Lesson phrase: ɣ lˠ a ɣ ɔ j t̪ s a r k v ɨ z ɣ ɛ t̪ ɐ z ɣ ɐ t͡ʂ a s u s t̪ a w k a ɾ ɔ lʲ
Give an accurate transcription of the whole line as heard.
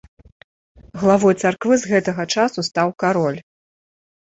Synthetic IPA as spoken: ɣ lˠ a v ɔ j t̪ s a r k v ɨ z ɣ ɛ t̪ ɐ ɣ ɐ t͡ʂ a s u s t̪ a w k a ɾ ɔ lʲ